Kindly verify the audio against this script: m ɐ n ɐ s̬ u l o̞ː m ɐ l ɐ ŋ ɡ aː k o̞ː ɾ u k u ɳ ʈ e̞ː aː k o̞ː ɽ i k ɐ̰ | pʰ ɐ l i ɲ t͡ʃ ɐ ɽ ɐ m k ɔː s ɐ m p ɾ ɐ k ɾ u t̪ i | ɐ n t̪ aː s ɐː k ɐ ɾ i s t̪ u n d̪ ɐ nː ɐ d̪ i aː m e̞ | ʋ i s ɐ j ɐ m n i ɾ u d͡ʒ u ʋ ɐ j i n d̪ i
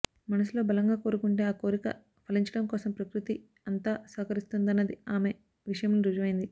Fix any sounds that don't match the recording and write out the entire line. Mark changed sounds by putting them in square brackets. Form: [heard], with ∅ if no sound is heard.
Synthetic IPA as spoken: m ɐ n ɐ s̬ u l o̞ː [b] ɐ l ɐ ŋ ɡ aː k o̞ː ɾ u k u ɳ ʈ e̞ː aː k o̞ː [ɾ] i k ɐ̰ | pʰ ɐ l i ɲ t͡ʃ ɐ ɽ ɐ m k ɔː s ɐ m p ɾ ɐ k ɾ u t̪ i | ɐ n t̪ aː s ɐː k ɐ ɾ i s t̪ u n d̪ ɐ nː ɐ d̪ i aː m e̞ | ʋ i [ʂ] ɐ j ɐ m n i ɾ u d͡ʒ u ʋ ɐ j i n d̪ i